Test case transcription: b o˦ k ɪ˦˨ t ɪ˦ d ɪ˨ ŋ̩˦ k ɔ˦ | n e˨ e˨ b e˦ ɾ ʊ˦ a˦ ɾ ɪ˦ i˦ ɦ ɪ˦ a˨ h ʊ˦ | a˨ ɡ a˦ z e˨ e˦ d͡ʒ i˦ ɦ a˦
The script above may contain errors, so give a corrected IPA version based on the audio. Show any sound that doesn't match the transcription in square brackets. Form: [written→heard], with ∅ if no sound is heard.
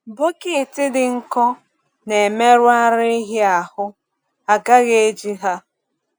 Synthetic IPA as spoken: b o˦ k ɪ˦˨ t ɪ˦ d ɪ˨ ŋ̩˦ k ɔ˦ | n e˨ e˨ [b→m] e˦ ɾ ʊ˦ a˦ ɾ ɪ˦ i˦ ɦ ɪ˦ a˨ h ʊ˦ | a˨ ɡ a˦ [z→ɣ] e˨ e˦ d͡ʒ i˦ ɦ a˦